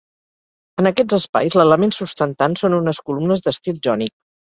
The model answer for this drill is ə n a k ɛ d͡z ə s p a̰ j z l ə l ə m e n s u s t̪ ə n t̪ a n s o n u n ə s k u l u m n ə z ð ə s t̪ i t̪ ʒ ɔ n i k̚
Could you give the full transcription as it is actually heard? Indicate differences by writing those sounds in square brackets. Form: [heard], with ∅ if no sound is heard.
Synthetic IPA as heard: ə n [ə] k ɛ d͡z ə s p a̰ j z l ə l ə m e n s u s t̪ ə n t̪ a n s o n u n ə s k u l u m n ə z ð ə s t̪ i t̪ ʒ ɔ n i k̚

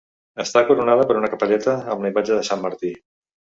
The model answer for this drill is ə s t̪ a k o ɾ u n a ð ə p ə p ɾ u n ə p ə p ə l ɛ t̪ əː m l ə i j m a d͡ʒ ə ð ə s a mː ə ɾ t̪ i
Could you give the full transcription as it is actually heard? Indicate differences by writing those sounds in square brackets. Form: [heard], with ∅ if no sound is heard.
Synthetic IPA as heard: ə s t̪ a k [u] ɾ u n a ð ə p ə [∅] ɾ u n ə [k] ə p ə [ʎ] ɛ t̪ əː m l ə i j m a d͡ʒ ə ð ə s a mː ə ɾ t̪ i

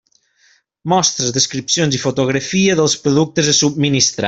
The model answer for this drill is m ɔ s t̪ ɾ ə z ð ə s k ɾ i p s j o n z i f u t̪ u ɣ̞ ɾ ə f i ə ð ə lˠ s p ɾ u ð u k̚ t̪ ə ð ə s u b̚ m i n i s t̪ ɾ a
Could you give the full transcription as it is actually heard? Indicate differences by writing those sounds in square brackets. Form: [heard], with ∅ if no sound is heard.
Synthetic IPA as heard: m ɔ s t̪ ɾ ə z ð ə s k ɾ i p s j o n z i f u t̪ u ɣ̞ ɾ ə f i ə ð ə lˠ s p ɾ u ð u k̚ t̪ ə [z] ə s u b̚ m i n i s t̪ ɾ a

